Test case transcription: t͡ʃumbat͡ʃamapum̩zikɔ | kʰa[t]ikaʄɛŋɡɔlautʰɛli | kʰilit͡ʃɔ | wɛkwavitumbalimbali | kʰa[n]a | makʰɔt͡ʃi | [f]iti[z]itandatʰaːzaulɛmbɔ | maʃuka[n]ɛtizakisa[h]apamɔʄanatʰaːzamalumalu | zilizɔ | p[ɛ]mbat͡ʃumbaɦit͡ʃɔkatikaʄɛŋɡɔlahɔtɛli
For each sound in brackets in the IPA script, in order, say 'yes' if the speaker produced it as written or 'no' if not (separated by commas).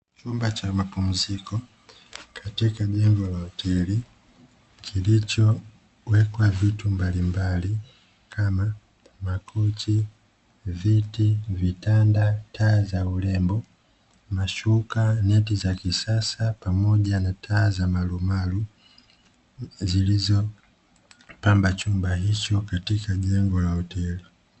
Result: yes, no, no, no, yes, no, no